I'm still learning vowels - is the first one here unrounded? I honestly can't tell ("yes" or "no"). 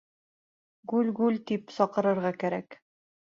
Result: no